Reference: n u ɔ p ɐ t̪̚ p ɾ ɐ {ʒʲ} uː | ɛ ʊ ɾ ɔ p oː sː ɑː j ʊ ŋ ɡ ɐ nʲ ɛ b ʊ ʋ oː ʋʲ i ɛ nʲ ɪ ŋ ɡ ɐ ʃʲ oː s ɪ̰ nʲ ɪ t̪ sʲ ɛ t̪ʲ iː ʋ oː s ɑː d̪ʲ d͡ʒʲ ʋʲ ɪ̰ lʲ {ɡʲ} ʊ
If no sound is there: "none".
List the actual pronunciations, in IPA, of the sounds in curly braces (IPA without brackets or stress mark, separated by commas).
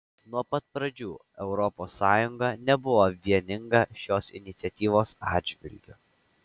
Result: d͡ʒʲ, ɡʲ